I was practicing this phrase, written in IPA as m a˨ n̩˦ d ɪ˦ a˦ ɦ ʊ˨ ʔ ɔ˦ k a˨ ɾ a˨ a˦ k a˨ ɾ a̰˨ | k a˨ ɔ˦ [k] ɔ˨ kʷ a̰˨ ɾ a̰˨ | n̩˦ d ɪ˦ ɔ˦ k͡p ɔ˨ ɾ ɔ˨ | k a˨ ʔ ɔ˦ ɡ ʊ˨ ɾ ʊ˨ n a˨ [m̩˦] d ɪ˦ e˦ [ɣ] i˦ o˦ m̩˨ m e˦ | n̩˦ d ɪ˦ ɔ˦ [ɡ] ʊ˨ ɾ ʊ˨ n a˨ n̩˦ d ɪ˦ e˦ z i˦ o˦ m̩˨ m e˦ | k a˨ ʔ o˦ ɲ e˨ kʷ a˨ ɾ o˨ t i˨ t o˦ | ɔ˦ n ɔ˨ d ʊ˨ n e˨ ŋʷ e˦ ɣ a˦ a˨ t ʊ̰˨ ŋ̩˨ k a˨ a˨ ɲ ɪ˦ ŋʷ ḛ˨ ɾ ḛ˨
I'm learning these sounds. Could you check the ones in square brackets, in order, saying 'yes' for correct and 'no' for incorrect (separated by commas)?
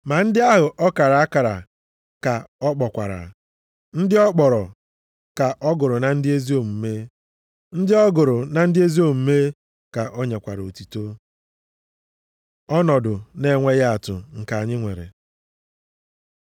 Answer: no, no, no, yes